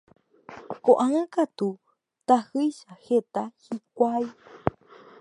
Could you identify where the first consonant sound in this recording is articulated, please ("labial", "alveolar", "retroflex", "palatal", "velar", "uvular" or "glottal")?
velar